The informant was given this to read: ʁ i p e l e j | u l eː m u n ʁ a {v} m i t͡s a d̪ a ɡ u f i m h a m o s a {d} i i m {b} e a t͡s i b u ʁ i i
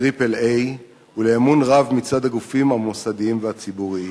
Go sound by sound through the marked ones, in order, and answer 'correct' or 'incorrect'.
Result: correct, correct, incorrect: v

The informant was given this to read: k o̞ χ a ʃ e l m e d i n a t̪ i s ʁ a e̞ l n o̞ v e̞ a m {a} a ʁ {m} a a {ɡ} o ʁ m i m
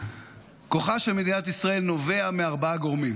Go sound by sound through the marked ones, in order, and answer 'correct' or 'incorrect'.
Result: incorrect: e, incorrect: b, correct

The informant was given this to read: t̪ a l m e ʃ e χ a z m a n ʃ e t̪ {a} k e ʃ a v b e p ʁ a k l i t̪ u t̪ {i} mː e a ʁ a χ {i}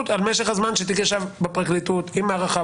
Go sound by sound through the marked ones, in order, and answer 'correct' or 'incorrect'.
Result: incorrect: i, correct, incorrect: a

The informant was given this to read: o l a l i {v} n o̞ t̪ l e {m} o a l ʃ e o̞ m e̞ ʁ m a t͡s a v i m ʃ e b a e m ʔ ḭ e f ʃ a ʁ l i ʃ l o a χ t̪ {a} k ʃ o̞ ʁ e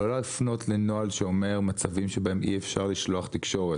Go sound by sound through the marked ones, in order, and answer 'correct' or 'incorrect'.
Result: incorrect: f, incorrect: n, incorrect: i

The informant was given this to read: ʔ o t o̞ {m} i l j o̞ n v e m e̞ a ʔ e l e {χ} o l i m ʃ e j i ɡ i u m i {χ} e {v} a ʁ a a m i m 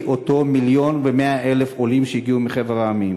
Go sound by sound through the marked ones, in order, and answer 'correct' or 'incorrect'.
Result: correct, incorrect: f, correct, correct

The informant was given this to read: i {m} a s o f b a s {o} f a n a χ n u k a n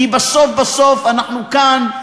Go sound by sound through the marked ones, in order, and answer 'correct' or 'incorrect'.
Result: incorrect: b, correct

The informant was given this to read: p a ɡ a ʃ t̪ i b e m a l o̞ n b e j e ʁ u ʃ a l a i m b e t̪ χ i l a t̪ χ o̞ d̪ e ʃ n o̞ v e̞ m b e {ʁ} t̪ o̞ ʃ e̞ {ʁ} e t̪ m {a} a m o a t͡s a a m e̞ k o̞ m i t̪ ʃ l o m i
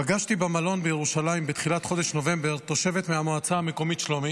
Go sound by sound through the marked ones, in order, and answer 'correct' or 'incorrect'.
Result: correct, incorrect: v, incorrect: e

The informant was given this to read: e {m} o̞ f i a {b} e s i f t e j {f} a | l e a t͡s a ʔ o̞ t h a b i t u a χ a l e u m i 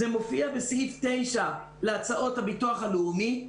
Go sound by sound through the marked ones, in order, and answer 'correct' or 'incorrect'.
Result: correct, correct, incorrect: ʃ

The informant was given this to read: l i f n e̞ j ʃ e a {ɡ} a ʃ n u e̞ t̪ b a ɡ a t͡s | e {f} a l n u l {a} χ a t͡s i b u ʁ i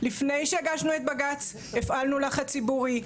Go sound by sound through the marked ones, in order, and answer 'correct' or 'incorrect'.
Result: correct, correct, correct

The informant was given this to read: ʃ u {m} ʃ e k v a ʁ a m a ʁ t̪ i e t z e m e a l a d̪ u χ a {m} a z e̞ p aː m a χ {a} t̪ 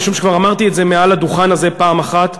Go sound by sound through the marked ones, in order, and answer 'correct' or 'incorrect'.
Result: correct, incorrect: n, correct

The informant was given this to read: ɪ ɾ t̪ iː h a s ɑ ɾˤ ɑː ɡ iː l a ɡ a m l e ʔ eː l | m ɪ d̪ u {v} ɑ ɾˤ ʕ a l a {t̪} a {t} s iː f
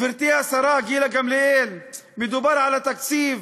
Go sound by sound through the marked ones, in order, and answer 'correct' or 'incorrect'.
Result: incorrect: b, correct, incorrect: k

